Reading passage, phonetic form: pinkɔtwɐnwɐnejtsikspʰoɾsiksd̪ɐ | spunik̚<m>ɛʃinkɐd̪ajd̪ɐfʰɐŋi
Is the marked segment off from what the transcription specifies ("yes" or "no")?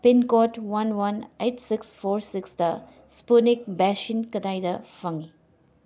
yes